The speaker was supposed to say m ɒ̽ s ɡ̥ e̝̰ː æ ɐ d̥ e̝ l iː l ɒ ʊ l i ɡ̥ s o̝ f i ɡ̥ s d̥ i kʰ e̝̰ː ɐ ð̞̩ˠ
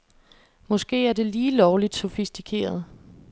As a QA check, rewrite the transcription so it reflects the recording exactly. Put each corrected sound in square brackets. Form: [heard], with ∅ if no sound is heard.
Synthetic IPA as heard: m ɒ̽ s ɡ̥ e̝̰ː æ ɐ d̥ e̝ l iː l ɒ ʊ l i [d̥] s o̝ f i [∅] s d̥ i kʰ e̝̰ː ɐ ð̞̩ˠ